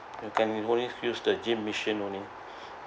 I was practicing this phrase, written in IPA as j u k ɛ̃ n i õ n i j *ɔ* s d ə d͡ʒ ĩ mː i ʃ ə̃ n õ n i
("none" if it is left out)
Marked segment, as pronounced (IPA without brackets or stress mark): u